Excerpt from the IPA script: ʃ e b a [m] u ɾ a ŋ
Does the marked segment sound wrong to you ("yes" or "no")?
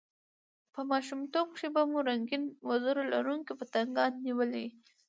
no